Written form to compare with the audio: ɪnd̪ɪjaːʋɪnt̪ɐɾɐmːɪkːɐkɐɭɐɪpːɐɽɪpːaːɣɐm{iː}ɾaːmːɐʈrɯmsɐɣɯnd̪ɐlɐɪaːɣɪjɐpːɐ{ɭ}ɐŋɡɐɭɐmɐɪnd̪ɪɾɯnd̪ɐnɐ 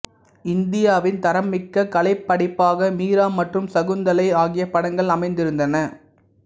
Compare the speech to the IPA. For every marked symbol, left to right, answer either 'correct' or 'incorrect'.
correct, incorrect: ɽ

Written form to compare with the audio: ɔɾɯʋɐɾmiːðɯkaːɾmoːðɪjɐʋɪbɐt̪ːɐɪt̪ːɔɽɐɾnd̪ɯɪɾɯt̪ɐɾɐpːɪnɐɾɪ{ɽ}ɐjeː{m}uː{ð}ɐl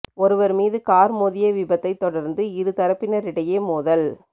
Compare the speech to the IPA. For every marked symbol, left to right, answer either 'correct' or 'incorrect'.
correct, correct, correct

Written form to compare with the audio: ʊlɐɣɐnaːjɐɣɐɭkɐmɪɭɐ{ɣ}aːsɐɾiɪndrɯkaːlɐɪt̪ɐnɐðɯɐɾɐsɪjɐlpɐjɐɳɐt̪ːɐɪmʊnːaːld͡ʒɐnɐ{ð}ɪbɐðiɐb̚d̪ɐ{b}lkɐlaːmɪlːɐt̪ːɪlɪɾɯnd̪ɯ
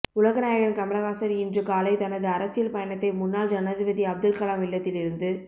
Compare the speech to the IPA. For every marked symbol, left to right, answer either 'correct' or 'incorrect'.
correct, correct, incorrect: none

